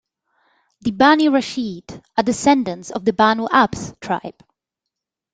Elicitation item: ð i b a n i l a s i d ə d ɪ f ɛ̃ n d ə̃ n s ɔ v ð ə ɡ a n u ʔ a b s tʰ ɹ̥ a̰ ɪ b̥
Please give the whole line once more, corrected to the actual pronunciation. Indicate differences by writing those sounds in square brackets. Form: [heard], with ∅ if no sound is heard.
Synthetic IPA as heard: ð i b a n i [ɹ] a [ʃ] i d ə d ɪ [s] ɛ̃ n d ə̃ n s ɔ v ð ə [b] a n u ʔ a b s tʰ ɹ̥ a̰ ɪ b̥